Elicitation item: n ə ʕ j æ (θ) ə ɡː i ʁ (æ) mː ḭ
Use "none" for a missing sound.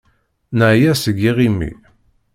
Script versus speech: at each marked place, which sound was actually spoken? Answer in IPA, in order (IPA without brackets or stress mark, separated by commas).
s, i